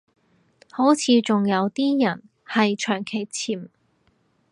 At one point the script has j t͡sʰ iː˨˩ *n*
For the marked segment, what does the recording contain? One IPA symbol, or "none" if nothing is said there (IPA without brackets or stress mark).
m